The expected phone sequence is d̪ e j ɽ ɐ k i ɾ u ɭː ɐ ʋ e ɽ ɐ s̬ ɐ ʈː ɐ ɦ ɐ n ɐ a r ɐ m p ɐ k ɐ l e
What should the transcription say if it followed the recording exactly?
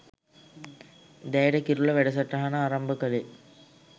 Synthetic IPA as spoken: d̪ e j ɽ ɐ k i ɾ u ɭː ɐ ʋ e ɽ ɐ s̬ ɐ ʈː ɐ ɦ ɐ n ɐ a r ɐ m b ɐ k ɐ l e